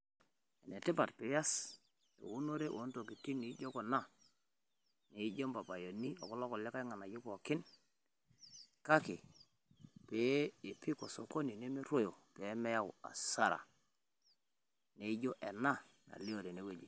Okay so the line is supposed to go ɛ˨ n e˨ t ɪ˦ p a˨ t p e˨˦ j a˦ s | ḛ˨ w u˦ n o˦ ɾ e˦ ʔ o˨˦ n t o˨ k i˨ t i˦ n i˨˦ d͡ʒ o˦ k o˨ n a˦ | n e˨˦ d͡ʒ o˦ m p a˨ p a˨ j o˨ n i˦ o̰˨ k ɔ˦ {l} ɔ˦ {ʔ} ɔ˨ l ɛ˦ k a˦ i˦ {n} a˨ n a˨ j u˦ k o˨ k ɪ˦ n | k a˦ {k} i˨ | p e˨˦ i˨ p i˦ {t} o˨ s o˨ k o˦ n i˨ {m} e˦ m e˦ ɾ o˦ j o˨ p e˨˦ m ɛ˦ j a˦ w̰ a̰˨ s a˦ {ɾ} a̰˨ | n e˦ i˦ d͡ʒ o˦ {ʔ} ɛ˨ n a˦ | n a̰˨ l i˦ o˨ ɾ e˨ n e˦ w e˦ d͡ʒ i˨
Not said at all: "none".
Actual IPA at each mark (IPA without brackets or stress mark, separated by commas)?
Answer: l, k, ŋ, k, k, n, ɾ, ʔ